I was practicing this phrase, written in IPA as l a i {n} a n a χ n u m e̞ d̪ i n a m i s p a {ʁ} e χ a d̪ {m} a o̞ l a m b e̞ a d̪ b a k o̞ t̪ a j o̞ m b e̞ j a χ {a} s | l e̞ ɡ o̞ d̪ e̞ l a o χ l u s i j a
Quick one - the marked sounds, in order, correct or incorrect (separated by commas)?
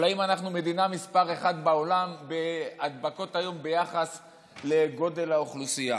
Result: incorrect, correct, incorrect, correct